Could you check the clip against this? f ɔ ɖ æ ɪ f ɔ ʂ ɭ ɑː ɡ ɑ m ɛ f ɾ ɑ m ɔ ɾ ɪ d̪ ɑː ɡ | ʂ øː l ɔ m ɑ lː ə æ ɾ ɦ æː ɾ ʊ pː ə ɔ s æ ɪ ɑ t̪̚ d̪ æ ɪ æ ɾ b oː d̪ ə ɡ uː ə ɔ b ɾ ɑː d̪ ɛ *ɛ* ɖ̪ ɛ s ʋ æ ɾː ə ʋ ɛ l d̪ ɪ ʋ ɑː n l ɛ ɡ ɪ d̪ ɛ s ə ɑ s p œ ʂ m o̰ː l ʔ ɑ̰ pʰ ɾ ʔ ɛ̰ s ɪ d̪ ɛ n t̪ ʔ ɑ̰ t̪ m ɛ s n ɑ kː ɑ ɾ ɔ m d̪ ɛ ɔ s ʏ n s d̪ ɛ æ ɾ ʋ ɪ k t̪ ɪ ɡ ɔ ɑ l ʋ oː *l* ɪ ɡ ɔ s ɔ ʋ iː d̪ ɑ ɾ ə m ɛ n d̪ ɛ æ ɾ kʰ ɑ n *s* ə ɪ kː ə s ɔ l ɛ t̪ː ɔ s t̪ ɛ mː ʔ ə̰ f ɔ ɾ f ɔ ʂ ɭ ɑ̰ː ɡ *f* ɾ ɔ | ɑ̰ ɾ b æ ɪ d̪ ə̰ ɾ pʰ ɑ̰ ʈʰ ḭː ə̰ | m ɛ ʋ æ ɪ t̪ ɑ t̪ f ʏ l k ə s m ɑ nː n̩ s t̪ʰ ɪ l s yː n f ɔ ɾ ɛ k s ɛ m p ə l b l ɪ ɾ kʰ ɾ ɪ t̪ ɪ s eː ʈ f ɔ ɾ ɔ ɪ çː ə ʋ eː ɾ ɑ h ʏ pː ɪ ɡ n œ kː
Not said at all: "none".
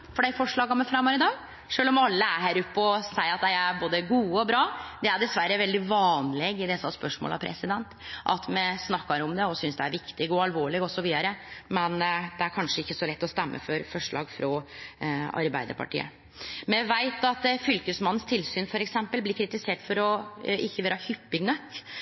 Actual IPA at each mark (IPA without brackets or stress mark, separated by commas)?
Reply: æ, ɭ, ʂ, f